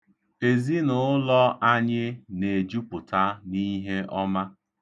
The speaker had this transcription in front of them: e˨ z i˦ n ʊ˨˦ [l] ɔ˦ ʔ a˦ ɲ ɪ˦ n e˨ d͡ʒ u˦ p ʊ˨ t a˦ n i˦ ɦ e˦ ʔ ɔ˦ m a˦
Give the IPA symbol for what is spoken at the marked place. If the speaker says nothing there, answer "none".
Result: l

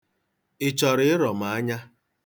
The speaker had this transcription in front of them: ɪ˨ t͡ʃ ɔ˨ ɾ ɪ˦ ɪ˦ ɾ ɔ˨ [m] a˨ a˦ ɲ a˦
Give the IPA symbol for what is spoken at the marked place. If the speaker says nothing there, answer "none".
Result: m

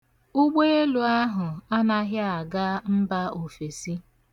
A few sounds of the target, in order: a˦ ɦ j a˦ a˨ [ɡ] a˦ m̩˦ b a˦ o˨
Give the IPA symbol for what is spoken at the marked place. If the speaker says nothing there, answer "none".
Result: ɡ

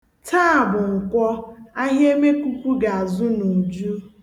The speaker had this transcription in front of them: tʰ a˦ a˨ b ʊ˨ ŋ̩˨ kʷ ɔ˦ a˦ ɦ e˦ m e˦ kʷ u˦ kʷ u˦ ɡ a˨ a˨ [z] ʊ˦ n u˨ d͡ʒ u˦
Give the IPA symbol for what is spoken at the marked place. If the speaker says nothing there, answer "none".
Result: z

